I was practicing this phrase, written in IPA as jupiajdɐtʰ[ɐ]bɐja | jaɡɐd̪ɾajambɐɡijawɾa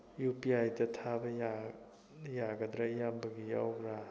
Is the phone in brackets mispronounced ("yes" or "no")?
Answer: yes